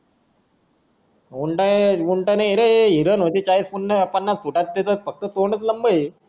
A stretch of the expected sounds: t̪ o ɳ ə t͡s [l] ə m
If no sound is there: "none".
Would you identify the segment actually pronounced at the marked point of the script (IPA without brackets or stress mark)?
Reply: l